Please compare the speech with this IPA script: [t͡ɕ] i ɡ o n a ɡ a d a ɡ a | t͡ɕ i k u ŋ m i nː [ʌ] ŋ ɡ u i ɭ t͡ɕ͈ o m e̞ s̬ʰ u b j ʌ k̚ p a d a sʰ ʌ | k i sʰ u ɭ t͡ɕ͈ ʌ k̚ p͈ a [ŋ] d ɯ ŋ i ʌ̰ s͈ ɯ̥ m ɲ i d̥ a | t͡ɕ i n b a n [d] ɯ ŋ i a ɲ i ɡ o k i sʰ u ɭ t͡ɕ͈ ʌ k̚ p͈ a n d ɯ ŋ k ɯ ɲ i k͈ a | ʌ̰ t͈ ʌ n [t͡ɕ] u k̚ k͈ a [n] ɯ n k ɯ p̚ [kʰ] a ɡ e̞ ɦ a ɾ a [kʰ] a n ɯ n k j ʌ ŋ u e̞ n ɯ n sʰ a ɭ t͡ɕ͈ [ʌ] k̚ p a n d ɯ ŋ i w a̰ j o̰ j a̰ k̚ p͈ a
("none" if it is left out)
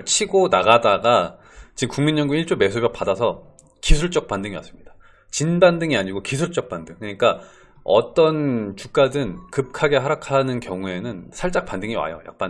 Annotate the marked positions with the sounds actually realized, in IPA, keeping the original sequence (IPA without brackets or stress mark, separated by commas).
t͡ɕʰ, ʌ, n, d, t͡ɕ, d, kʰ, kʰ, a